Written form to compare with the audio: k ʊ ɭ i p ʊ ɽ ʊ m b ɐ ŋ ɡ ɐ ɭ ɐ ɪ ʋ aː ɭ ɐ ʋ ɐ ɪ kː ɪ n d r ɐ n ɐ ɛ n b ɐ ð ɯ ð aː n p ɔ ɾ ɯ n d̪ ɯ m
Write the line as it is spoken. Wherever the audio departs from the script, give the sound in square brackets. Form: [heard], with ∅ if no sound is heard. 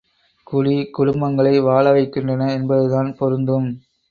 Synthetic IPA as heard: k ʊ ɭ i [k] ʊ ɽ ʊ m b ɐ ŋ ɡ ɐ ɭ ɐ ɪ ʋ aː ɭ ɐ ʋ ɐ ɪ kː ɪ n d r ɐ n ɐ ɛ n b ɐ ð ɯ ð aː n p ɔ ɾ ɯ n d̪ ɯ m